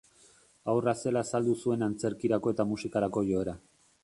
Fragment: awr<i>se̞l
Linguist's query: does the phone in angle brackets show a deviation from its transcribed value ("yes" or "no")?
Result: yes